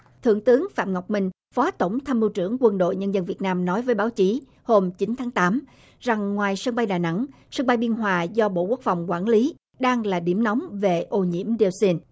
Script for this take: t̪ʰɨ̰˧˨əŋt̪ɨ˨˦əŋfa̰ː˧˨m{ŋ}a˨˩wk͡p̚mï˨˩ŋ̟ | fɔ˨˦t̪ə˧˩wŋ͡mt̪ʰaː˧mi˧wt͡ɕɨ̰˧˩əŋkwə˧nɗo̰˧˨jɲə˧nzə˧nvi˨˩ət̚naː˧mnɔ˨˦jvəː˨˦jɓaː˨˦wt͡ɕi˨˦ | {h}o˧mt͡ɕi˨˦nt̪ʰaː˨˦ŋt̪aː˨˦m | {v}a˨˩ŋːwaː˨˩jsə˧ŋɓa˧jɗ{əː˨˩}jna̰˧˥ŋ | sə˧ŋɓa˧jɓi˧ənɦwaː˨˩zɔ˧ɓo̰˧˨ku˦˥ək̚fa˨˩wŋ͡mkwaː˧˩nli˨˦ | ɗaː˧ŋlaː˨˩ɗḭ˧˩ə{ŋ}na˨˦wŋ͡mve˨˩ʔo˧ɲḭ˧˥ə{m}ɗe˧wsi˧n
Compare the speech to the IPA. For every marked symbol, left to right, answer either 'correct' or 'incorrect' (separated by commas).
correct, correct, incorrect, incorrect, incorrect, correct